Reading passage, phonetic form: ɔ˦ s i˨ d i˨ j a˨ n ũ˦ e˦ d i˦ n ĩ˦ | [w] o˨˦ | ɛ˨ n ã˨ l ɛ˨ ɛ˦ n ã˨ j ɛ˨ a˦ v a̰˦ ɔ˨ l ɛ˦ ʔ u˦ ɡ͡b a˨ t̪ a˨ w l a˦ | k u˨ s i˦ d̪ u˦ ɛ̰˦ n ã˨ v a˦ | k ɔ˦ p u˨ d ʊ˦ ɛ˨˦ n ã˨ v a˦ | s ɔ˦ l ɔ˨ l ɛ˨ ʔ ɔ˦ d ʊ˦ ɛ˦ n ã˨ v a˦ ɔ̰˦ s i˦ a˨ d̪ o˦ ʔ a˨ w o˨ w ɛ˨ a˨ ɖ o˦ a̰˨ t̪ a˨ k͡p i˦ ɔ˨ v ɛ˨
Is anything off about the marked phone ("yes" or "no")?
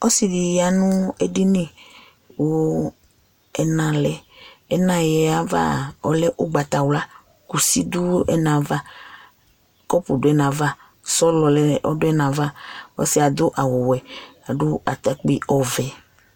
no